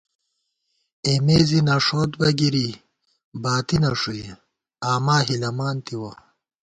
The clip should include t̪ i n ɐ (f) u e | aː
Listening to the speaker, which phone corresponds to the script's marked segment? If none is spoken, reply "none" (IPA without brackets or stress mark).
ʂ